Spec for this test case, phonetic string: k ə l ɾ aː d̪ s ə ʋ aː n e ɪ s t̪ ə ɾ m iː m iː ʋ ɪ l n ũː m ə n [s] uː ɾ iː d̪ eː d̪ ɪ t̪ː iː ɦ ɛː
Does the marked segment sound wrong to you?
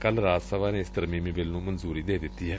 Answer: yes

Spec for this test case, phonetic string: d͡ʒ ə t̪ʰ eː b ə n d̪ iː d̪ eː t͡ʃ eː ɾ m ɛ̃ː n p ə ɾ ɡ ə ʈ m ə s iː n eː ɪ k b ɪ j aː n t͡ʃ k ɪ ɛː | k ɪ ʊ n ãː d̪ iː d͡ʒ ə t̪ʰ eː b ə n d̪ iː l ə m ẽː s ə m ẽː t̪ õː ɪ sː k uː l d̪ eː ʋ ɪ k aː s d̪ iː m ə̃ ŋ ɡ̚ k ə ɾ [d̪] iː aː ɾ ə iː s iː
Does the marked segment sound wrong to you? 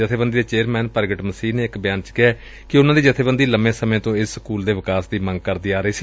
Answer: no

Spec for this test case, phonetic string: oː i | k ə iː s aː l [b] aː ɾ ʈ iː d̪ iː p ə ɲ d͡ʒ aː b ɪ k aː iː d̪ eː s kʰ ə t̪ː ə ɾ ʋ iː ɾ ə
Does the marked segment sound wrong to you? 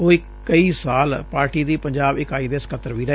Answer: yes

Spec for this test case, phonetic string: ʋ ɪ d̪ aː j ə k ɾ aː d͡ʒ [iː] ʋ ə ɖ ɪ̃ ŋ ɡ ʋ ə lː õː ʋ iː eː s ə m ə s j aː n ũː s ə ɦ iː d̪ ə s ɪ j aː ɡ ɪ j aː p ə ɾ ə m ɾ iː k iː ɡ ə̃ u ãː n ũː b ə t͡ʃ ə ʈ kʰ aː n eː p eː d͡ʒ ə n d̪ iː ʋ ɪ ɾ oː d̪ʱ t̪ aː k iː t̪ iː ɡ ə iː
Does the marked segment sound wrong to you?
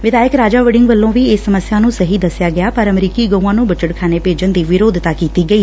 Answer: yes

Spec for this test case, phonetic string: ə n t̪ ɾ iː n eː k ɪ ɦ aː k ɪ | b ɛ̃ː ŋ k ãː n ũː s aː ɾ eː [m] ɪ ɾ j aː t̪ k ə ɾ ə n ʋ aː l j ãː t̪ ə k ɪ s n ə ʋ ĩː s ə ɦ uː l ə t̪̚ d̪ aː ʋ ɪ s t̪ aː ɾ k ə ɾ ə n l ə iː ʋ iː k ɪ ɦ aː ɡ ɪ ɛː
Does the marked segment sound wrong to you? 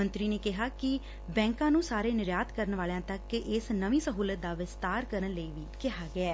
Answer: yes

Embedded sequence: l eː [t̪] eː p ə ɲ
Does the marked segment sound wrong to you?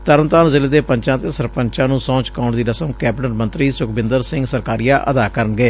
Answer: yes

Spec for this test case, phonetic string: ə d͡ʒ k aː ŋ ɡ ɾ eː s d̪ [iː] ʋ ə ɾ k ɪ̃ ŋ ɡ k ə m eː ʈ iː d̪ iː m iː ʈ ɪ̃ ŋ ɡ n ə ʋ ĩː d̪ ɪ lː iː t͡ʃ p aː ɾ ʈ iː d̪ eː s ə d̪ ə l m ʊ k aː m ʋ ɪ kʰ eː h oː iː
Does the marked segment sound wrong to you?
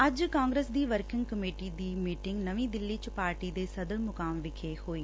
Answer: no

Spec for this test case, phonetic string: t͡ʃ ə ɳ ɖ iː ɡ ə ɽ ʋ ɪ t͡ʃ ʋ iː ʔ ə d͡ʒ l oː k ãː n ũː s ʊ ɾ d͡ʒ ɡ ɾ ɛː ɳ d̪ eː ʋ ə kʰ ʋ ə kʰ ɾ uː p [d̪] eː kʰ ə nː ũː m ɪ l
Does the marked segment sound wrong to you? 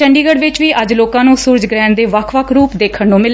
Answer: no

